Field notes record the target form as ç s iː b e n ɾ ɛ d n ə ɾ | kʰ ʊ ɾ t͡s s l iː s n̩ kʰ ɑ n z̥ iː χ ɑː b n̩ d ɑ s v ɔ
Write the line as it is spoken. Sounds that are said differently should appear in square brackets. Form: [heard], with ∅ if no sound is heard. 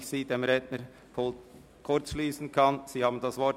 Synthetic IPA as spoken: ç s iː [d] e [m] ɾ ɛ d n ə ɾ | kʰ ʊ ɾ t͡s [ʃ] l iː s n̩ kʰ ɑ n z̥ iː [h] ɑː b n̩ d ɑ s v ɔ